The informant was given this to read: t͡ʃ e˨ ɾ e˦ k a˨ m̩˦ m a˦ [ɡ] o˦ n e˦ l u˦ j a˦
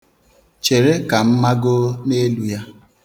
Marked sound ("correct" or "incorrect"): correct